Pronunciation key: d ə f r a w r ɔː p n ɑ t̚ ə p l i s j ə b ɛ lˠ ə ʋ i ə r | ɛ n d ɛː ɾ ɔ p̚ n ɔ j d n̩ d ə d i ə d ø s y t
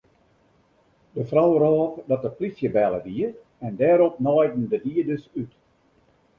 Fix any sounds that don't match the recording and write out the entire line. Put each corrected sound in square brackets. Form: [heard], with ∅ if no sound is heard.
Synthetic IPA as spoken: d ə f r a w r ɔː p [d] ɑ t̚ ə p l i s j ə b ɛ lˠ ə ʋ i ə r | ɛ n d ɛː ɾ ɔ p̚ n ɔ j d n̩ d ə d i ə d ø s y t